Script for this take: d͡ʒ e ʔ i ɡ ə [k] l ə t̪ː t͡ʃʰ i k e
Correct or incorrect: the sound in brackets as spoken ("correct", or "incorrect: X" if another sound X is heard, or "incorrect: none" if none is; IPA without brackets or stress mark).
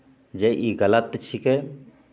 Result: incorrect: none